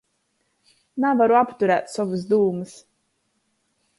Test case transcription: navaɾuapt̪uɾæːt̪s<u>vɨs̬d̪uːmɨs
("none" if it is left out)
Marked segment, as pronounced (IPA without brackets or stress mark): ɔ